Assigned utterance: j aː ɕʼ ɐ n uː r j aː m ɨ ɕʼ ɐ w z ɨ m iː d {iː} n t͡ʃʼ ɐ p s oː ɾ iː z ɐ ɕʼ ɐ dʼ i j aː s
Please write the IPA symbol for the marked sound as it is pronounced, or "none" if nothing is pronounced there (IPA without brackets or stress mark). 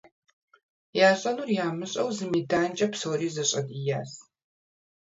aː